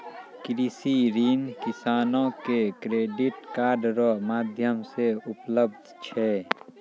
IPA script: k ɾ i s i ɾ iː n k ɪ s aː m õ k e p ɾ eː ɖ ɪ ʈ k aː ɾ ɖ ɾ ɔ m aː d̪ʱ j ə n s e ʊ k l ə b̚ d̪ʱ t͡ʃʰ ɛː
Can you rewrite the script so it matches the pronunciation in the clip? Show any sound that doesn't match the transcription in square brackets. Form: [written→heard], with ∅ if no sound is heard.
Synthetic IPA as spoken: k ɾ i s i ɾ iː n k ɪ s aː [m→n] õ k e [p→k] ɾ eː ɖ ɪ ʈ k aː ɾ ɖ ɾ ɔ m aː d̪ʱ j ə [n→m] s e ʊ [k→p] l ə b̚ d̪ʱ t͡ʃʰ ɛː